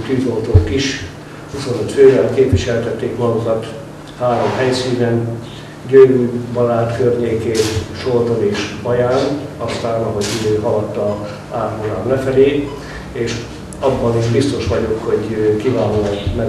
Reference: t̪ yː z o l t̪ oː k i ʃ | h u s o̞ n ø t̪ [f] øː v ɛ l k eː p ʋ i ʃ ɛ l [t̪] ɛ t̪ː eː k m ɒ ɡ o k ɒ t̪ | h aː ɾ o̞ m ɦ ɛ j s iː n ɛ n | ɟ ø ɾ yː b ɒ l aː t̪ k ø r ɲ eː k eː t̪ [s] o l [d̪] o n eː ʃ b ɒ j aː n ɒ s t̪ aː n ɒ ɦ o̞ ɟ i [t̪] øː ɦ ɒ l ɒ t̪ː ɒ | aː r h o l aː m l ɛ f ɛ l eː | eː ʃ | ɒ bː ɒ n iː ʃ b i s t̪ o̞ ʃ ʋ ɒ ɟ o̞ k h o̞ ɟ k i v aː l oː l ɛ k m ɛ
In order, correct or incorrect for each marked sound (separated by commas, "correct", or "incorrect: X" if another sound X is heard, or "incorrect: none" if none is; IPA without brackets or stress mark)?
correct, correct, incorrect: ʃ, incorrect: t̪, incorrect: d̪